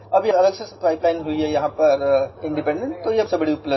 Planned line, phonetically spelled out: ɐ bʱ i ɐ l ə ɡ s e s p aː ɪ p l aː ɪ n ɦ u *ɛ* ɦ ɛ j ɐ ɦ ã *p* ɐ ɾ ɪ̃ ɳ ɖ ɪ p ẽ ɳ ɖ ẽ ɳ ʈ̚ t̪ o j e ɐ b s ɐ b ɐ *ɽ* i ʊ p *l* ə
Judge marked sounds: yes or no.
no, yes, yes, yes

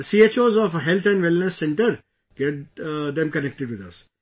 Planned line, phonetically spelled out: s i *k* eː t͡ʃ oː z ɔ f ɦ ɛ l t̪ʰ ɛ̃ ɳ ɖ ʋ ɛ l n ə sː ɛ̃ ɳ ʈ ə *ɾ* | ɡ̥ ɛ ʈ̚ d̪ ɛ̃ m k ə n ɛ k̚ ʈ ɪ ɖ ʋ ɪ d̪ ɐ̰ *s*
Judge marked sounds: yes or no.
no, yes, yes

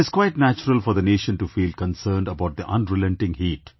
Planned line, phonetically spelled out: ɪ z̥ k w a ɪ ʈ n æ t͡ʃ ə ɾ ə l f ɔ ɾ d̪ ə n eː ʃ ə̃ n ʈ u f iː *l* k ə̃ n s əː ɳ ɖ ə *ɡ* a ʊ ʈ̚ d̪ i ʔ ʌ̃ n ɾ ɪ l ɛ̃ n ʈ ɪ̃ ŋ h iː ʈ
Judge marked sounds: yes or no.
yes, no

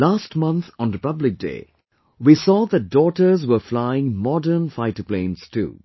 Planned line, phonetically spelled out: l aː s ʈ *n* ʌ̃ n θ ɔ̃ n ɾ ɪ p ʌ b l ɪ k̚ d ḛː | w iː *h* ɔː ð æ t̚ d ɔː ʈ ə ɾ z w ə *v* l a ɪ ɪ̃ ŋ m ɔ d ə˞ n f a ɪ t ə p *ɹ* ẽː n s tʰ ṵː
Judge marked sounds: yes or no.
no, no, no, no

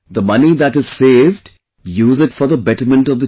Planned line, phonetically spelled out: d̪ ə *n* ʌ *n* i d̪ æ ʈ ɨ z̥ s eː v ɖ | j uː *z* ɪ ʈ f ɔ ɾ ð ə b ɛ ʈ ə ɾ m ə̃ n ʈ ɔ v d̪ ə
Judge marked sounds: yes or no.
no, yes, yes

